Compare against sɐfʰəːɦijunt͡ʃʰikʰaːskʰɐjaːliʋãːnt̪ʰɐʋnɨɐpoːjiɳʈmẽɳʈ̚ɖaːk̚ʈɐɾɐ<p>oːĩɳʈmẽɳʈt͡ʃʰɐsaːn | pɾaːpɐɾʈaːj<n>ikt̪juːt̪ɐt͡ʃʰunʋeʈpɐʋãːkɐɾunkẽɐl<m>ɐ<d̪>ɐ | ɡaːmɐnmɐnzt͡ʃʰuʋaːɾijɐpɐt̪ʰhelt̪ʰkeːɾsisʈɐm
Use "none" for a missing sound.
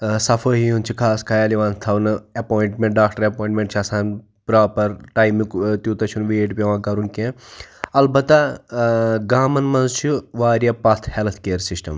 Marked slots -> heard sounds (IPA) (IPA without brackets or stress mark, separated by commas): p, m, b, t̪